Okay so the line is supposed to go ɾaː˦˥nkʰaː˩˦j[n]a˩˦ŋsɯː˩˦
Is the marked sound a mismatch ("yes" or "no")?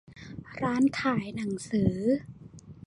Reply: no